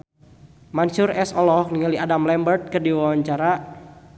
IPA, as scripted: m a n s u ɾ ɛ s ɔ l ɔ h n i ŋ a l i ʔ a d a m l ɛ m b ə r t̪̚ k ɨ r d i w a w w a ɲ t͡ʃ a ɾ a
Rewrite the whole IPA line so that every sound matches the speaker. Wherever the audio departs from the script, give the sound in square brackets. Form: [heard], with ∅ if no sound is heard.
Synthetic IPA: m a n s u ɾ ɛ s ɔ l ɔ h n i ŋ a l i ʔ a d a m l ɛ m b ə r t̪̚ k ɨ r d i w a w w a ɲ t͡ʃ a ɾ a

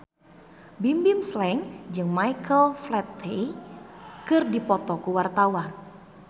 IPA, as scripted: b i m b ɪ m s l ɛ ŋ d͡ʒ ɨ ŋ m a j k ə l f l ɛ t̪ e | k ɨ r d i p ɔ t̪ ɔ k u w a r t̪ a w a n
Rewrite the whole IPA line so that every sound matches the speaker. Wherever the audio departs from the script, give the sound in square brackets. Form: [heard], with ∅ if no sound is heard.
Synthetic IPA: b i m b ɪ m s l ɛ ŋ d͡ʒ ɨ ŋ m a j k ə l f l ɛ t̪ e | k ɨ r d i p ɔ t̪ ɔ k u w a r t̪ a w a n

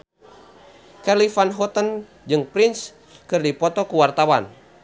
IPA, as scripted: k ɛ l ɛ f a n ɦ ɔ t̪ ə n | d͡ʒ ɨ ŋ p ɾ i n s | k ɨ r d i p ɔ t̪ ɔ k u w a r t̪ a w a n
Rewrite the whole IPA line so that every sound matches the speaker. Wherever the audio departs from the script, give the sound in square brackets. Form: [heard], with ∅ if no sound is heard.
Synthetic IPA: k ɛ l [i] f a n ɦ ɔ t̪ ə n | d͡ʒ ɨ ŋ p ɾ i n s | k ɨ r d i p ɔ t̪ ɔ k u w a r t̪ a w a n

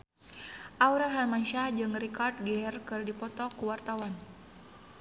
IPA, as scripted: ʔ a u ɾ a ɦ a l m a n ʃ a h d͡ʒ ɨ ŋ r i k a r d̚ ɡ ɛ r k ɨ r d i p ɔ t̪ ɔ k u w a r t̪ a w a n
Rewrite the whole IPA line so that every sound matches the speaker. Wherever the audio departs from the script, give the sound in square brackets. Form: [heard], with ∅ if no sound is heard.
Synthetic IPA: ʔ a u ɾ a ɦ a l m a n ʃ a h d͡ʒ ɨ ŋ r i k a r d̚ ɡ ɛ r k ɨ r d i p ɔ t̪ ɔ k u w a r t̪ a w a n

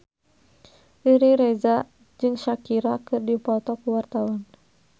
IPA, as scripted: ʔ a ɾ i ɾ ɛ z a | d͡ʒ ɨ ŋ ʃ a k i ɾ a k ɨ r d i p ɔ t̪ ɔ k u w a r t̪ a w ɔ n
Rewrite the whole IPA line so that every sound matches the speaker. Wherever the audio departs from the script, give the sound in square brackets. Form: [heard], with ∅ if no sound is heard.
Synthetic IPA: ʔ [i] ɾ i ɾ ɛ z a | d͡ʒ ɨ ŋ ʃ a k i ɾ a k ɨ r d i p ɔ t̪ ɔ k u w a r t̪ a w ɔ n

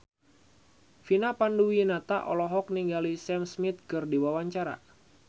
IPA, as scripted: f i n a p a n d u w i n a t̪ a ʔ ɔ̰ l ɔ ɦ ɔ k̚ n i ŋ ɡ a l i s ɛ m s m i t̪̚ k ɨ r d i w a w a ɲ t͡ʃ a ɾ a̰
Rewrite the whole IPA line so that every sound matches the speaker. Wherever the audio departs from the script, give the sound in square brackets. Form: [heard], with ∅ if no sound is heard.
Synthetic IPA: f i n a p a n d u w i n a t̪ a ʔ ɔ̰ l ɔ ɦ ɔ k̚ n i ŋ ɡ a l i s ɛ m s m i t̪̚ k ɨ r d i w a w a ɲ t͡ʃ a ɾ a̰

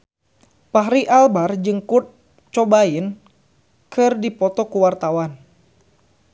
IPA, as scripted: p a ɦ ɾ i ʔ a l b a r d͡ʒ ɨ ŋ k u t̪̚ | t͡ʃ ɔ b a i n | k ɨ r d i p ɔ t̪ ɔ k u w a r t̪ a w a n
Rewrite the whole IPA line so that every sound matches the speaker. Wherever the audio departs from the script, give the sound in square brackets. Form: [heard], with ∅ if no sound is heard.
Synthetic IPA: p a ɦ ɾ i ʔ a l b a r d͡ʒ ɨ ŋ k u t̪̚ | t͡ʃ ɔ b a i n | k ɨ r d i p ɔ t̪ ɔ k u w a r t̪ a w a n

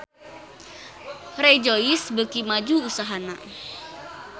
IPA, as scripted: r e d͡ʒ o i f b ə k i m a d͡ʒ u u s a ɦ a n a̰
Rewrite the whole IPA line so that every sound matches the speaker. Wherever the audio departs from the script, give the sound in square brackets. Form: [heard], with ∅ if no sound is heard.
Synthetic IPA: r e d͡ʒ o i [s] b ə k i m a d͡ʒ u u s a ɦ a n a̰

